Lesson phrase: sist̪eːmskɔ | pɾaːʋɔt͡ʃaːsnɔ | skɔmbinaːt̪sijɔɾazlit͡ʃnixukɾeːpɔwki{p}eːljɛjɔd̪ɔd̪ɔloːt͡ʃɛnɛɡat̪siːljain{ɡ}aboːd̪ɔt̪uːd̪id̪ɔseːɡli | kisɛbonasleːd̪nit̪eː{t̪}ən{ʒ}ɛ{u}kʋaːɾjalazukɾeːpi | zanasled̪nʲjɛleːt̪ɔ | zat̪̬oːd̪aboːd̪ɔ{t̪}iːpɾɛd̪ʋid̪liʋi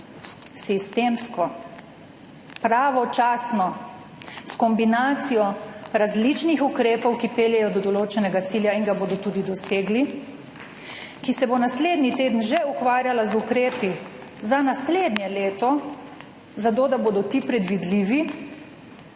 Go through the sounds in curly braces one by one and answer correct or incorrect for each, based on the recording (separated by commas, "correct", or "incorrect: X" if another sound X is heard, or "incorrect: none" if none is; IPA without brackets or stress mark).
correct, correct, incorrect: d̪, correct, correct, correct